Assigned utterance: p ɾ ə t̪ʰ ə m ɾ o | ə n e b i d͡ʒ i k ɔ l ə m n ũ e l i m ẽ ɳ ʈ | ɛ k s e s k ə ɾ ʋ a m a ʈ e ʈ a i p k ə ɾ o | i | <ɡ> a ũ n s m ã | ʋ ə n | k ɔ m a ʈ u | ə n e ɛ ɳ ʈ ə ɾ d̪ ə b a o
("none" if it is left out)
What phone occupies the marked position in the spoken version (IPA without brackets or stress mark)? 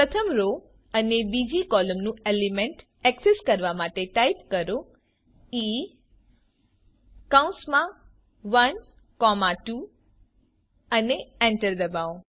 k